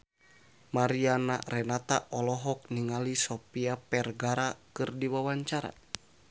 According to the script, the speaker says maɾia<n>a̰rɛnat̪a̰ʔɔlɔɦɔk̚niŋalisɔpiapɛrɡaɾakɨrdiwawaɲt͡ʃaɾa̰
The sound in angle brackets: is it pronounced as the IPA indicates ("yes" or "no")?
yes